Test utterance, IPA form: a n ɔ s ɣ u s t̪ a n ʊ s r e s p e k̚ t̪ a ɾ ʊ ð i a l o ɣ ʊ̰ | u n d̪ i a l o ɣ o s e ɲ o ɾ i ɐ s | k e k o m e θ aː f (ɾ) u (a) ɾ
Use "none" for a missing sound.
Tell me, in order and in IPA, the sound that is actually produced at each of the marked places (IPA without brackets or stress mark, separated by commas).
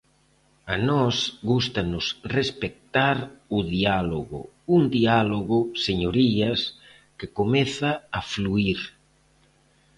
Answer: l, i